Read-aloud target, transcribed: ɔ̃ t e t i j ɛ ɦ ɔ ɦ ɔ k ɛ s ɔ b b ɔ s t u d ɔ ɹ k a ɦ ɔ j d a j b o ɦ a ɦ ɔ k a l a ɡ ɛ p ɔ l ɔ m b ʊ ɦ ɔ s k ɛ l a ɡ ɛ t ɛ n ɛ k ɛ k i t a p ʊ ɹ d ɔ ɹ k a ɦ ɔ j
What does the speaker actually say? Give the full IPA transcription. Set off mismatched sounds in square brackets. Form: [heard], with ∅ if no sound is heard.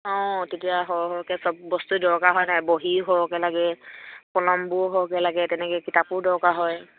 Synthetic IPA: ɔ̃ t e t i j [a] ɦ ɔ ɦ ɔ k ɛ s ɔ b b ɔ s t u d ɔ ɹ k a ɦ ɔ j [n] a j b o ɦ [i] ɦ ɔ k [ɛ] l a ɡ ɛ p ɔ l ɔ m b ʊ ɦ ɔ [∅] k ɛ l a ɡ ɛ t ɛ n ɛ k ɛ k i t a p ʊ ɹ d ɔ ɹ k a ɦ ɔ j